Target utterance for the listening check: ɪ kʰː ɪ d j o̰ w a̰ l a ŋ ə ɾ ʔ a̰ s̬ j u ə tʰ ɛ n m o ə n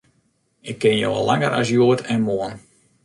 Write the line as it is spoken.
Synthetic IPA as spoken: ɪ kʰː ɪ n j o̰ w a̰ l a ŋ ə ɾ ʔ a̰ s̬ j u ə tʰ ɛ n m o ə n

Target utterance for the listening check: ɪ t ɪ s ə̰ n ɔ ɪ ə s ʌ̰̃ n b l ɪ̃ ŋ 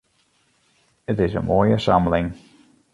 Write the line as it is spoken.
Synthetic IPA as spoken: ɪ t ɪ z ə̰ m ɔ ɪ ə s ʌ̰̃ m b l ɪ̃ ŋ

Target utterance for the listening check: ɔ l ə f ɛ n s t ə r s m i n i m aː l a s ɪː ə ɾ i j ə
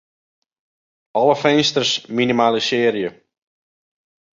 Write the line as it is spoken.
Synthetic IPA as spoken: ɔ l ə f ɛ n s t ə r s m i n i m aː l ə s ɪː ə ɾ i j ə

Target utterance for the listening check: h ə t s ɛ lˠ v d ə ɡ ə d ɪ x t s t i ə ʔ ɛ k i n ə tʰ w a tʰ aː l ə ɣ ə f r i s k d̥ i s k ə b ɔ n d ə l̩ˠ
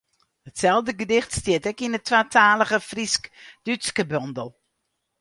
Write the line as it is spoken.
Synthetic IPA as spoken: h ə t s ɛ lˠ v d ə ɡ ə d ɪ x t s t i ə t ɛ k i n ə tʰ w a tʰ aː l ə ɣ ə f r i s k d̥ y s k ə b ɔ n d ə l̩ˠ

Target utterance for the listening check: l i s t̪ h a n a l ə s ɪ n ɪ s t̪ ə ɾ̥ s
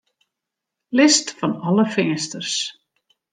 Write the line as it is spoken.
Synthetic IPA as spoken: l ɪ s t̪ f a n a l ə f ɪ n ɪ s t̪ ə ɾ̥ s

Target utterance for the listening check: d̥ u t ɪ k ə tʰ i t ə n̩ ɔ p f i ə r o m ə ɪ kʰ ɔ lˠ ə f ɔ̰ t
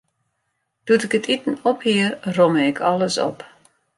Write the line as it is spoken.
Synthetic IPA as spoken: d̥ u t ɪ k ə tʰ i t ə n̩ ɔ p h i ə r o m ə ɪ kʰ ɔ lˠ ə s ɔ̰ p

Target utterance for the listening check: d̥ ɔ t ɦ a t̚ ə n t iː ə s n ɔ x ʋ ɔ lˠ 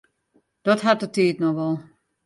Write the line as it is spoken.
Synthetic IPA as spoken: d̥ ɔ t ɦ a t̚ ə t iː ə t n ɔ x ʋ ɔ lˠ

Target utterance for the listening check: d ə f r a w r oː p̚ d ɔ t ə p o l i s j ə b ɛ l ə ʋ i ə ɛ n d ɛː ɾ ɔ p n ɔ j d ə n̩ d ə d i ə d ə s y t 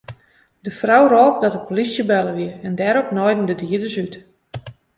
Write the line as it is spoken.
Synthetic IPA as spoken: d ə f r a w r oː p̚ d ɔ t ə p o l i s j ə b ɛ l ə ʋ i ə ɛ n d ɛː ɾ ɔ p n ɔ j d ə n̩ d ə d i ə d ə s y t

